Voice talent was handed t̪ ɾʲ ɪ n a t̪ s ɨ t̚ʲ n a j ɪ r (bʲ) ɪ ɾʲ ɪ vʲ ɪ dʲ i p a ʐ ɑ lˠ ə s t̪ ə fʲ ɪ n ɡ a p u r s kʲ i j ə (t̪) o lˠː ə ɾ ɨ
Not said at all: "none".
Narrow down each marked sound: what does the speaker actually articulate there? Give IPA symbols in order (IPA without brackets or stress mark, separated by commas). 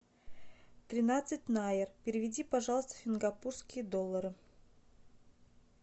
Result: pʲ, d̪